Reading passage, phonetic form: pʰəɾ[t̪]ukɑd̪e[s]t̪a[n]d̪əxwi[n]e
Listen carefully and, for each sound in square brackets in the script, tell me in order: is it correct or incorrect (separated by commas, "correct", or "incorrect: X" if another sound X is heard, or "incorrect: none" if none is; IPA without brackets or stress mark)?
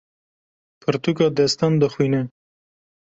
correct, correct, correct, correct